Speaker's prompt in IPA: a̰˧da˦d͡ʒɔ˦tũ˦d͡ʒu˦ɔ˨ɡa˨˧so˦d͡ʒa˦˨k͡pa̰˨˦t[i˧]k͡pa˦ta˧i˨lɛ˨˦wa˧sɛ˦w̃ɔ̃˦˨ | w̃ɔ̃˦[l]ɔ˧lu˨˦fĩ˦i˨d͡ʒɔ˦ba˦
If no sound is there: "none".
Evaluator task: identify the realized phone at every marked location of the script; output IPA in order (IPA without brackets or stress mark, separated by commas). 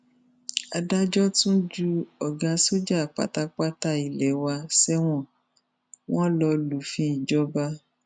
a˧, l